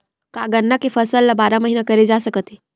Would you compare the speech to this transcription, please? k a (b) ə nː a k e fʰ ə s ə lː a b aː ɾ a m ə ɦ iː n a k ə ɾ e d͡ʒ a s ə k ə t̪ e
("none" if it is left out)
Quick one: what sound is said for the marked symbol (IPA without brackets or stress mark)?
ɡ